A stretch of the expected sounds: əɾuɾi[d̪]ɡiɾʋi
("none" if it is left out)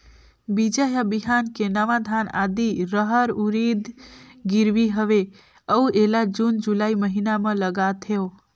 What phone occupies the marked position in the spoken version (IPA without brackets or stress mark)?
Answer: d̪